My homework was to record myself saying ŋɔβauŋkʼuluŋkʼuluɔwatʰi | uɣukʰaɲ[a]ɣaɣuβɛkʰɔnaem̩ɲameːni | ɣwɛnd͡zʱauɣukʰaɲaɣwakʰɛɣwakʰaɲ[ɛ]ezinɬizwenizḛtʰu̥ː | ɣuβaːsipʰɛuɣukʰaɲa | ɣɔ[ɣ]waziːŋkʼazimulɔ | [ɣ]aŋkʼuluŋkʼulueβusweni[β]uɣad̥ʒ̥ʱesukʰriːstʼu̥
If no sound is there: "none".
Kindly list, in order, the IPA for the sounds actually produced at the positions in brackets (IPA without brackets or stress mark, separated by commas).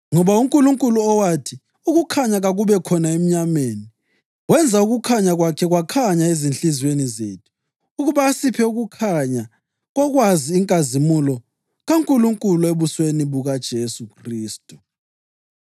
a, a, ɣ, ɣ, β